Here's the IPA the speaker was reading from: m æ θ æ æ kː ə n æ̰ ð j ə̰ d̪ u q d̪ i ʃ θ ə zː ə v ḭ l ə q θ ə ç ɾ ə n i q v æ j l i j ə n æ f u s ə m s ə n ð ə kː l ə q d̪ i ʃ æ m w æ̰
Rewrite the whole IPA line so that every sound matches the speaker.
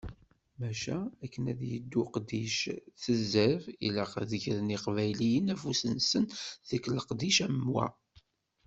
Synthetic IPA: m æ ʃ æ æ kː ə n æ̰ ð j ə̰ d̪ː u q d̪ i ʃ θ ə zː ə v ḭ l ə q ð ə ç ɾ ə n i q v æ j l i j ə n æ f u s ə n s ə n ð ə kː l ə q d̪ i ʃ æ m w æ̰

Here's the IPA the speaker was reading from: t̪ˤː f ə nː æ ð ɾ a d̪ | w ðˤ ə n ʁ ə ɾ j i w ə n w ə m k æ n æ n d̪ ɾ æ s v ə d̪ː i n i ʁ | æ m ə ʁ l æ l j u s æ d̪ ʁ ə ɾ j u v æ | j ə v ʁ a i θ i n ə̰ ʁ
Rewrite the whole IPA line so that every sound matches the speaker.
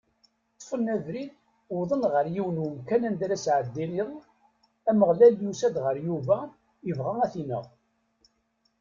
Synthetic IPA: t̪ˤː f ə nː æ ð ɾ i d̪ | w ðˤ ə n ʁ ə ɾ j i w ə n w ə m k æ n æ n d̪ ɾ æ s ʕ ə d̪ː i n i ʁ | æ m ə ʁ l æ l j u s æ d̪ ʁ ə ɾ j u v æ | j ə v ʁ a æ θ i n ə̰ ʁ

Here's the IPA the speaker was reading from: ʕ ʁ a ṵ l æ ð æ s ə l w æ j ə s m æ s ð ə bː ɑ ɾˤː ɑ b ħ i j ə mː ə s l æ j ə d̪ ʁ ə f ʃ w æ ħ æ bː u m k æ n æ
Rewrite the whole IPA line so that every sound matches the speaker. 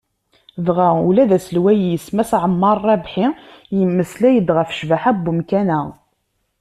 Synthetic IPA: ð ʁ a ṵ l æ ð æ s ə l w æ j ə s m æ s ʕ ə mː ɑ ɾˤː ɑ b ħ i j ə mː ə s l æ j ə d̪ ʁ ə f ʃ v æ ħ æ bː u m k æ n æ

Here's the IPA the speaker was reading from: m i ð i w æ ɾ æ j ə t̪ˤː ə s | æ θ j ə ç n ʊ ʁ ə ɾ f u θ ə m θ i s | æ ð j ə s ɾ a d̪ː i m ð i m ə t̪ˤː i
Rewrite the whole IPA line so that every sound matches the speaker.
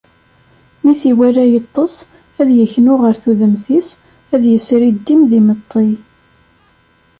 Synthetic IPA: m i θ i w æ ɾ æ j ə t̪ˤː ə s | æ ð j ə ç n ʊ ʁ ə ɾ θ u ð ə m θ i s | æ ð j ə s ɾ i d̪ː i m ð i m ə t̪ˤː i

